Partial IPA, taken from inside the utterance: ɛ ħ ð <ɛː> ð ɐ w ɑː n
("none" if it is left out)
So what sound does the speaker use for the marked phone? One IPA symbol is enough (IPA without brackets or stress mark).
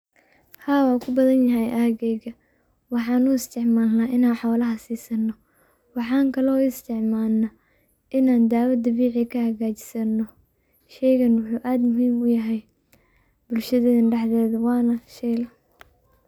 ɛː